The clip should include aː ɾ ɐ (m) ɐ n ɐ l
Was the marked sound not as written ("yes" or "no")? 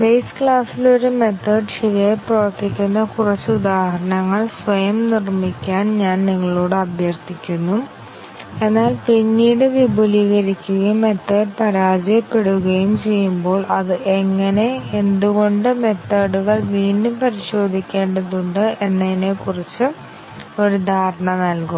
yes